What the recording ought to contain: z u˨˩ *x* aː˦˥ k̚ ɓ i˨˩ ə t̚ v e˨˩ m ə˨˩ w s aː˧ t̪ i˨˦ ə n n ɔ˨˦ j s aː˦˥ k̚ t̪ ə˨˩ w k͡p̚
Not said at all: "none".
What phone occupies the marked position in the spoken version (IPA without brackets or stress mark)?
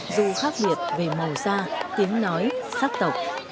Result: x